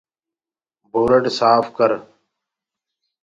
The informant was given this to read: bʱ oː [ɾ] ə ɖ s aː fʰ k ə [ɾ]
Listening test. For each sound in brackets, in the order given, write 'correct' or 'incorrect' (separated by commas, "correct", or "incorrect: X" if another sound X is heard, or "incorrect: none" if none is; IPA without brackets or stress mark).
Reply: correct, correct